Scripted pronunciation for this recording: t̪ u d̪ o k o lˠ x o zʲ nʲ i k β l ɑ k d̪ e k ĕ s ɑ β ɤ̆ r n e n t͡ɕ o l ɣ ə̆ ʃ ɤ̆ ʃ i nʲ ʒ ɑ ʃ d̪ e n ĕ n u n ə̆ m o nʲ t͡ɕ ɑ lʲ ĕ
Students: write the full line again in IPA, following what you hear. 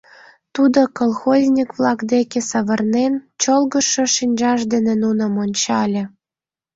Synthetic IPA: t̪ u d̪ o k o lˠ x o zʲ nʲ i k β l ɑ k d̪ e k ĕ s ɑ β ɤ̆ r n e n t͡ɕ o l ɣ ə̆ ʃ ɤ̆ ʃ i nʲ ʒ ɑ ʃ d̪ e n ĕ n u n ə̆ m o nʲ t͡ɕ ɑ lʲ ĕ